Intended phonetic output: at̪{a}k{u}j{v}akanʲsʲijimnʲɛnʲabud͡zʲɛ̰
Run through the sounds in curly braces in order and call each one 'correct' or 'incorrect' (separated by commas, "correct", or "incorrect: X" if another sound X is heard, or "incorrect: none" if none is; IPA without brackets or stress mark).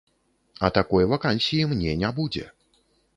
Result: correct, incorrect: ɔ, correct